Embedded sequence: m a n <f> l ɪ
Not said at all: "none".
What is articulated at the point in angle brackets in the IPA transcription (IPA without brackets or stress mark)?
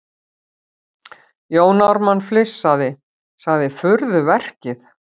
f